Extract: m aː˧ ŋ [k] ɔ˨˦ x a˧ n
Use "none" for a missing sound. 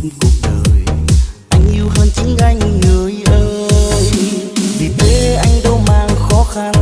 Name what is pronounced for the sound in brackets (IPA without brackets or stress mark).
x